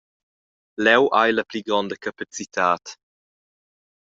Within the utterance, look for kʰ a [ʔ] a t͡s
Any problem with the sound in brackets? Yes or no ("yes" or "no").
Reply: yes